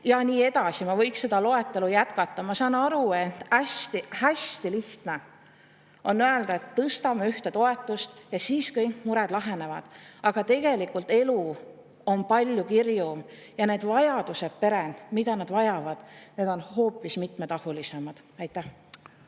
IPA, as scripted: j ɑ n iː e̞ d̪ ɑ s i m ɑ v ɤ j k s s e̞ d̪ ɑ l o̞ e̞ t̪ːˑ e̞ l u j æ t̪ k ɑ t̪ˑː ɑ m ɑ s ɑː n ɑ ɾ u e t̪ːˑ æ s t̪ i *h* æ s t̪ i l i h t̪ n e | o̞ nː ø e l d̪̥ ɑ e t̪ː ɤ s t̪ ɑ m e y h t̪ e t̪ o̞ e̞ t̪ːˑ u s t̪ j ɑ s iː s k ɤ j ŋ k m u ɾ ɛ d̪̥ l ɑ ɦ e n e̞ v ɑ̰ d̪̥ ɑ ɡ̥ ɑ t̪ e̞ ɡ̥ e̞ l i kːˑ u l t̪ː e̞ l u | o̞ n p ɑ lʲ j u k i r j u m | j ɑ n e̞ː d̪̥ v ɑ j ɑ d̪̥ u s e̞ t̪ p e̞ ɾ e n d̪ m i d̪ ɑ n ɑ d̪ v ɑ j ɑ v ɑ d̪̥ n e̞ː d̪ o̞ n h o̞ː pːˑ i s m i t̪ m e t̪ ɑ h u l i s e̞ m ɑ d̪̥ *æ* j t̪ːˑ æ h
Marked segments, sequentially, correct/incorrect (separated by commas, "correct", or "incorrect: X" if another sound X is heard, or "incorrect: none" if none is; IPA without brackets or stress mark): correct, correct